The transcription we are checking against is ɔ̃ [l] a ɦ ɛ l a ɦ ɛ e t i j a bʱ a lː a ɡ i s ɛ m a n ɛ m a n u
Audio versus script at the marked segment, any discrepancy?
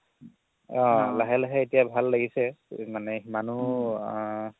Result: no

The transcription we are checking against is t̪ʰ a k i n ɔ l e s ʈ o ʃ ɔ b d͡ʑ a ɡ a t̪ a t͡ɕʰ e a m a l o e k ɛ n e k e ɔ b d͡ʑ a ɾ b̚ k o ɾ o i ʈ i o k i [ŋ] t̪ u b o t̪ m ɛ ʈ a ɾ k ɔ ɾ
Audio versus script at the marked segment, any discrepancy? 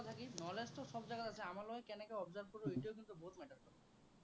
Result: yes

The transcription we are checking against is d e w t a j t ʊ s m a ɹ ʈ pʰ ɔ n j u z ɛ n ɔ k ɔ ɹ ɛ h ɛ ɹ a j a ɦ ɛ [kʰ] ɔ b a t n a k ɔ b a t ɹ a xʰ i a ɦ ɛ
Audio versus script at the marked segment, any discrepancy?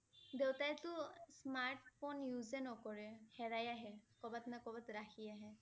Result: yes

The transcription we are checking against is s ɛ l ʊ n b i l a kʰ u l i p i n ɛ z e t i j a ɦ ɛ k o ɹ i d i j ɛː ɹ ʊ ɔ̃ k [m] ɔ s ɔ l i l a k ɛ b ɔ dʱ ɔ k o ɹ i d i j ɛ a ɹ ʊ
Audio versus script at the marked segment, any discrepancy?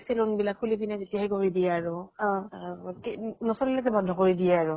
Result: yes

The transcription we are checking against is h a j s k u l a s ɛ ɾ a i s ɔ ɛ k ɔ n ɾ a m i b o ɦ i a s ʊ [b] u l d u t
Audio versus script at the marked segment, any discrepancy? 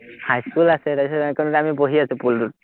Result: yes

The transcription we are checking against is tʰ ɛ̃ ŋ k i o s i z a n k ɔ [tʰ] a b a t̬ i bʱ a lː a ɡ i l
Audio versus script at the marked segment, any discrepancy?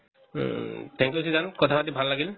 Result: no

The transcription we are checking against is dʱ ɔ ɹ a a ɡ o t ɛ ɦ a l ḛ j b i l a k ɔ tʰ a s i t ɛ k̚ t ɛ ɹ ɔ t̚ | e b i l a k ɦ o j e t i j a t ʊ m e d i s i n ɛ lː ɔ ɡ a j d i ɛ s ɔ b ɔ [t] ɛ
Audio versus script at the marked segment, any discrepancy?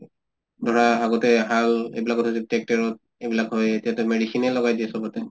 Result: no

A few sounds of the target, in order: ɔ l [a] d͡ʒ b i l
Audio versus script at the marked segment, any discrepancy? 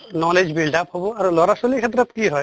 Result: yes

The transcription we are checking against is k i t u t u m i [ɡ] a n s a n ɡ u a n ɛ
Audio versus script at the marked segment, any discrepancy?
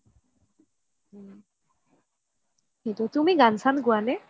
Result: no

